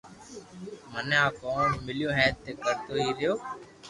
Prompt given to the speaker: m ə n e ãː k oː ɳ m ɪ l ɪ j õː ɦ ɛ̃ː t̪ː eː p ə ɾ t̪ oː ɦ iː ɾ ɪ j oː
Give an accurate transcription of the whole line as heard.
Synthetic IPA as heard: m ə n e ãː k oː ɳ m ɪ l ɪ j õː ɦ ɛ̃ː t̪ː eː k ə ɾ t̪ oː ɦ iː ɾ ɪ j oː